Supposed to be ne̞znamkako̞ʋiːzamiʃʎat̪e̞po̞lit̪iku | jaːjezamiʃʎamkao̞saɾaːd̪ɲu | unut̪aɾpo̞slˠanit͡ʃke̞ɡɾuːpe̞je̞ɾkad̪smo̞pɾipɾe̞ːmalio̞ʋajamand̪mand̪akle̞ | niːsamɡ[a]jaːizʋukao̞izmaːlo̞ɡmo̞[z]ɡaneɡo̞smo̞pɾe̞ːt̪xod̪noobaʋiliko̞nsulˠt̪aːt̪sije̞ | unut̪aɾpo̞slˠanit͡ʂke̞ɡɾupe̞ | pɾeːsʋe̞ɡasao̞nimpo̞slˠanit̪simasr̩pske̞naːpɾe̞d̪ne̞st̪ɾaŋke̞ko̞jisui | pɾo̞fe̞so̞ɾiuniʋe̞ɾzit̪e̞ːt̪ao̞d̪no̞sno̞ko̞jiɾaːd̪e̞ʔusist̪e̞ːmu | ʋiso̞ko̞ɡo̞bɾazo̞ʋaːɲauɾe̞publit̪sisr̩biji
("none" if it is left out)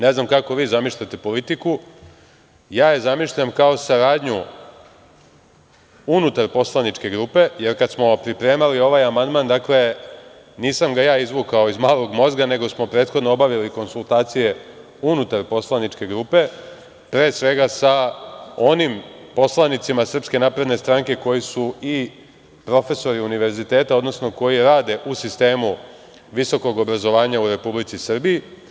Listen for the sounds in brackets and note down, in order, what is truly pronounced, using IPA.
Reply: a, z

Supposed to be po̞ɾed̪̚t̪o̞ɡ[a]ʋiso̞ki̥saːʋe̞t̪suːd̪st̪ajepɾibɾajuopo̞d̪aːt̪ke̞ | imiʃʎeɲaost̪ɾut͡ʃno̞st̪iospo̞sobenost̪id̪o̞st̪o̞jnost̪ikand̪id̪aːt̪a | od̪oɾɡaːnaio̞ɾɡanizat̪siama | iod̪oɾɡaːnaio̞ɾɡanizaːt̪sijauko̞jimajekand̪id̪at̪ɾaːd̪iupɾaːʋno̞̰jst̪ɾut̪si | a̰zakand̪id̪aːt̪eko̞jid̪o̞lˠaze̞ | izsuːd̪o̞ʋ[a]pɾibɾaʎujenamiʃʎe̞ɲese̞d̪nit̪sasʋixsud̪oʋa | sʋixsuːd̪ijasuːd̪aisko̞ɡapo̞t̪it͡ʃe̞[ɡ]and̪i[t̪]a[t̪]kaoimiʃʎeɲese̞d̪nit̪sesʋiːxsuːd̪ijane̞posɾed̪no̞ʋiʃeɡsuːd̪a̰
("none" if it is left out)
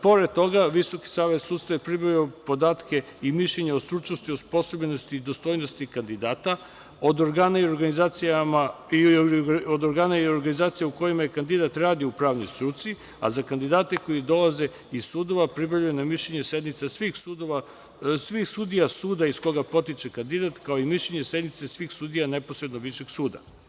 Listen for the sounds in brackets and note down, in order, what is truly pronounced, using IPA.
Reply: a, a, k, d̪, t̪

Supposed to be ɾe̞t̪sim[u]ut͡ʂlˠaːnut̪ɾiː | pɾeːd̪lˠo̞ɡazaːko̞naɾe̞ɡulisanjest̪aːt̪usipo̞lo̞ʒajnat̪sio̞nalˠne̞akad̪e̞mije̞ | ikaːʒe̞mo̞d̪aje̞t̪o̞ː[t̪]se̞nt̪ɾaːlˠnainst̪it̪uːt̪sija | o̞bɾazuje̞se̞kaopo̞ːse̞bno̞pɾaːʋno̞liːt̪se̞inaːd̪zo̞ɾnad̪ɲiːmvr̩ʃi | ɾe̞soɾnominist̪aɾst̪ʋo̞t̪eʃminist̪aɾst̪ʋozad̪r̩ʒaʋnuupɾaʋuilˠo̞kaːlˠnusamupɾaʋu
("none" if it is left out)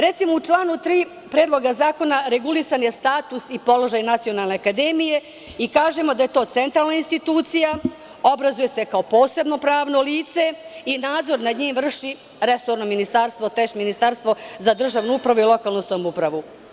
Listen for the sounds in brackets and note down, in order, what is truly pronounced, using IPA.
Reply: o, t̪

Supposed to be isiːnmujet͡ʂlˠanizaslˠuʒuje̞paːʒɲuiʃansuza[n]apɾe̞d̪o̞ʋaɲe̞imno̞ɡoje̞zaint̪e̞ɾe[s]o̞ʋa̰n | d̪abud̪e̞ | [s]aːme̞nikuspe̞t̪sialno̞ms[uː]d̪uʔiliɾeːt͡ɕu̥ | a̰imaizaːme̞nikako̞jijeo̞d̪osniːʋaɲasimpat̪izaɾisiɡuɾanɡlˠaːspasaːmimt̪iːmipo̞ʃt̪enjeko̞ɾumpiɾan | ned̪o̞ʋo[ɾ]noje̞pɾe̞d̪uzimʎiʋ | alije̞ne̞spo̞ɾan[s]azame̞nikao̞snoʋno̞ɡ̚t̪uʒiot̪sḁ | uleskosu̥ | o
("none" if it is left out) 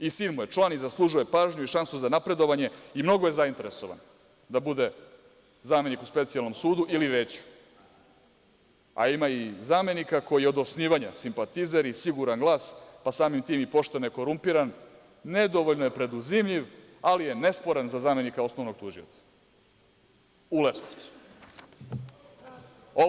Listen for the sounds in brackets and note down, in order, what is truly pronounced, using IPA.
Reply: n, s, z, uː, ʎ, z

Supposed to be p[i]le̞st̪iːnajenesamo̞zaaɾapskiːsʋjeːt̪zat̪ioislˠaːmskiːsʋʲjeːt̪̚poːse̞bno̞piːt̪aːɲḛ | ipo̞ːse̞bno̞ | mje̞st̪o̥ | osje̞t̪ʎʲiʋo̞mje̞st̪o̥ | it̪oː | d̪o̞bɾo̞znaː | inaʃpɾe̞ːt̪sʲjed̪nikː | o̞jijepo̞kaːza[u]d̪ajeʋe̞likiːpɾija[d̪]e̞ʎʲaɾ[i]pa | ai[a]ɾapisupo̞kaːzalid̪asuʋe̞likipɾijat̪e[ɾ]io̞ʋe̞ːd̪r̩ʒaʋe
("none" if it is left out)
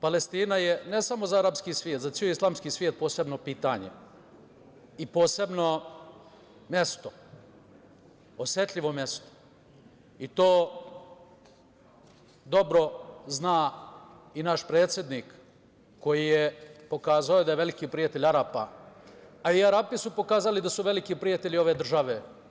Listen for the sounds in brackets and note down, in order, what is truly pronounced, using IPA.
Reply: a, o, t̪, a, a, ʎ

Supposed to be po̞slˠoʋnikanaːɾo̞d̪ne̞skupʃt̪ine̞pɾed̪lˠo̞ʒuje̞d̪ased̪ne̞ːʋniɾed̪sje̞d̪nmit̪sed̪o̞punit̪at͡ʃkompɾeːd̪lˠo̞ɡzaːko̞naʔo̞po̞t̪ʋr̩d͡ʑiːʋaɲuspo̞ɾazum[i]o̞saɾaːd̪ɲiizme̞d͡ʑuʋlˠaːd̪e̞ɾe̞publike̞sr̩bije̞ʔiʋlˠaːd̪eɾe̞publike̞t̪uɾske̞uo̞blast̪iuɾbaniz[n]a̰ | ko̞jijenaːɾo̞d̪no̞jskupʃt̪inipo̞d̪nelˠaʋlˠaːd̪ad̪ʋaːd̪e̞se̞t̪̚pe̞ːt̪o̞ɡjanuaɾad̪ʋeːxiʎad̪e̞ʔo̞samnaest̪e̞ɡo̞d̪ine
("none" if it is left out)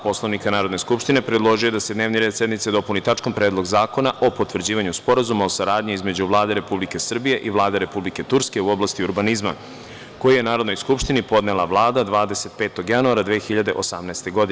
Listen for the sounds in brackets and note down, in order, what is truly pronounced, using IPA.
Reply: a, m

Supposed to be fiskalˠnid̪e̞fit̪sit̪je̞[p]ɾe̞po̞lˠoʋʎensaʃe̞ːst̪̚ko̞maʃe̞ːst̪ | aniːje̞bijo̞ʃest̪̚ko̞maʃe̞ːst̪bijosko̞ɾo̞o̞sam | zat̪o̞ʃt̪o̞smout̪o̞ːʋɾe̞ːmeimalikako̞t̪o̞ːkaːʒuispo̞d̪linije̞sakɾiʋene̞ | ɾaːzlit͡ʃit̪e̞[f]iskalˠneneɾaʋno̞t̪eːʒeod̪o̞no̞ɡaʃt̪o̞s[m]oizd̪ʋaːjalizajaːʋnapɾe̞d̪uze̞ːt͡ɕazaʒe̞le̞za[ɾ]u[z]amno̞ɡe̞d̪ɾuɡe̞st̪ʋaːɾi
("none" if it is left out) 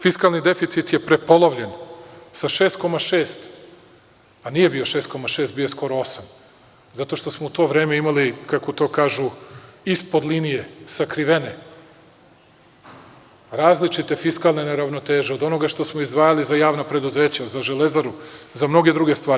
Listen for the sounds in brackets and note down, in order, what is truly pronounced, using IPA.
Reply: p, f, m, ɾ, z

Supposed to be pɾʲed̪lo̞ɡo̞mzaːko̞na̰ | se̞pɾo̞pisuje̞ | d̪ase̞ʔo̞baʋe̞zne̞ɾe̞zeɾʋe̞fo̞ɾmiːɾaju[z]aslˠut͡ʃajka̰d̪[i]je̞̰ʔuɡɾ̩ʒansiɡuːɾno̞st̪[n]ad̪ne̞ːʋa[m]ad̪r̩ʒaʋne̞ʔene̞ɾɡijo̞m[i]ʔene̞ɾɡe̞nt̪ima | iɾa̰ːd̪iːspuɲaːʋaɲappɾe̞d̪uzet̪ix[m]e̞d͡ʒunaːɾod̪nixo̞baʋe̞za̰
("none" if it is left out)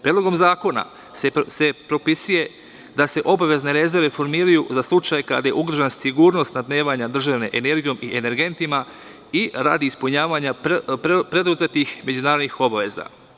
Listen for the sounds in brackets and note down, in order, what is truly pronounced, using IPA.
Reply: z, a, n, ɲ, i, m

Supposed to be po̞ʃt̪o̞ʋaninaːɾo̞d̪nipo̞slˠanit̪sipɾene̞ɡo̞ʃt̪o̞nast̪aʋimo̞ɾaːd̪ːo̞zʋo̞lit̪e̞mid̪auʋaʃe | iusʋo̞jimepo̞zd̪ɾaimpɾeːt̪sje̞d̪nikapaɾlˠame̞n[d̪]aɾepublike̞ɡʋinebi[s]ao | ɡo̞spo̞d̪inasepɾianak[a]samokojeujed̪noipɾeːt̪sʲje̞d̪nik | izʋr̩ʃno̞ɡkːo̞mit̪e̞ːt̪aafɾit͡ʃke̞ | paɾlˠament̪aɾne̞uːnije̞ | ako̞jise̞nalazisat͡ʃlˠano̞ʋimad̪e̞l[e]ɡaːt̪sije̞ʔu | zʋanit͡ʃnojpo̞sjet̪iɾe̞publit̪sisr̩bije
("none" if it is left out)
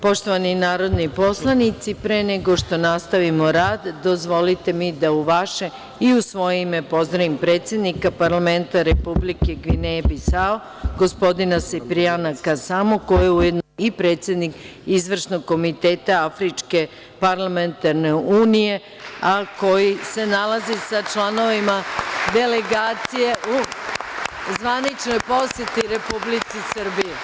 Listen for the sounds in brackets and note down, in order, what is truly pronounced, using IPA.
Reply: t̪, s, a, e

